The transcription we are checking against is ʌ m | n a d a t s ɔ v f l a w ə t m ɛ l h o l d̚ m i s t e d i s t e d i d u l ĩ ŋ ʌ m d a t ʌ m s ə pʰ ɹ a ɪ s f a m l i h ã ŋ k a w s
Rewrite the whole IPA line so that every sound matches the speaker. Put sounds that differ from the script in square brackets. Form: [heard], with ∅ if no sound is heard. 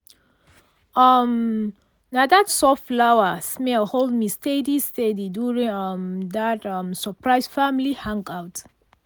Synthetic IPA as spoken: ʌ m | n a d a t s ɔ [f] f l a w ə [s] m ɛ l h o l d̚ m i s t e d i s t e d i d u [ɹ] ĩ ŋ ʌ m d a t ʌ m s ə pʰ ɹ a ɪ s f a m l i h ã ŋ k a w [t]